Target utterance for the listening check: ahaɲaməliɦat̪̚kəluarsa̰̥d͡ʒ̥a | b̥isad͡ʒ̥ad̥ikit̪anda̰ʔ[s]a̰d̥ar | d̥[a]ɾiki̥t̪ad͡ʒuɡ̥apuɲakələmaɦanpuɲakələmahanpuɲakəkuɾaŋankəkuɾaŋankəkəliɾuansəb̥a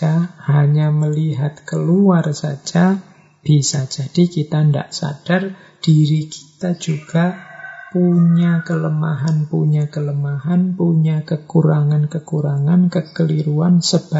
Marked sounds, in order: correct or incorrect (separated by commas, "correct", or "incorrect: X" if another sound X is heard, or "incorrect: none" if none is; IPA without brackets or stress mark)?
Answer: correct, incorrect: i